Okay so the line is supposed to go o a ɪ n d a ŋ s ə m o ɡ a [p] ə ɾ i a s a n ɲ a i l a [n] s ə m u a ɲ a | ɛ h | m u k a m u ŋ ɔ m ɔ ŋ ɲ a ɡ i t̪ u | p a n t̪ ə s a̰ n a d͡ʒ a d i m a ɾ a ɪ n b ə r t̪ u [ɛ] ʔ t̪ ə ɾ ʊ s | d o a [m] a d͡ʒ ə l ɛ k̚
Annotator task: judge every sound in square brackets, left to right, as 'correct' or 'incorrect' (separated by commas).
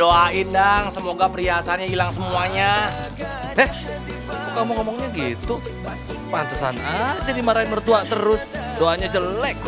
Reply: correct, incorrect, incorrect, incorrect